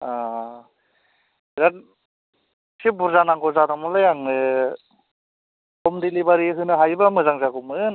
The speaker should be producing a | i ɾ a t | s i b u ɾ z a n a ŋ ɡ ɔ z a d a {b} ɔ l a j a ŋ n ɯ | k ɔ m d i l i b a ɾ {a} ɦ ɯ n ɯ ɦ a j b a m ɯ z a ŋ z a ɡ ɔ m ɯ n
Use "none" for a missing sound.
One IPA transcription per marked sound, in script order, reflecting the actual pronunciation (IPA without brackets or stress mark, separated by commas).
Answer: m, i